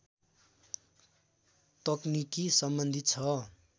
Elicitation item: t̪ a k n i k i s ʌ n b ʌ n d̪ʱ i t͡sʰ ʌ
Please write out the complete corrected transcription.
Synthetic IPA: t̪ ʌ k n i k i s ʌ m b ʌ n d̪ʱ i t͡sʰ ʌ